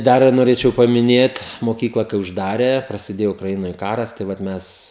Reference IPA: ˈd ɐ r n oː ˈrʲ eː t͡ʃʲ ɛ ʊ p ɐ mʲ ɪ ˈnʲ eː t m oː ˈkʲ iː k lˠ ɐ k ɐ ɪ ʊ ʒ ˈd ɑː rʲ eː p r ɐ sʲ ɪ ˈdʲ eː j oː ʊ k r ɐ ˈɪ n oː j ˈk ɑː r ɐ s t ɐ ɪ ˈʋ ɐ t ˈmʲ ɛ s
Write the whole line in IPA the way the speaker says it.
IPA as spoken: ˈd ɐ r n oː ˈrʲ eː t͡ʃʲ ɛ ʊ p ɐ mʲ ɪ ˈnʲ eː t m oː ˈkʲ iː k lˠ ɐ k ɐ ɪ ʊ ʒ ˈd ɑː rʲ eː p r ɐ sʲ ɪ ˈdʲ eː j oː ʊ k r ɐ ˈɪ n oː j ˈk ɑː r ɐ s t ɐ ɪ ˈʋ ɐ t ˈmʲ ɛ s